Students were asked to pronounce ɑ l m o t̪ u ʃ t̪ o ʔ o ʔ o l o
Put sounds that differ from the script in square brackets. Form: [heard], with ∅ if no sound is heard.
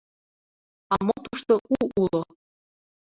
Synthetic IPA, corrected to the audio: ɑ [∅] m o t̪ u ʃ t̪ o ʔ [u] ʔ [u] l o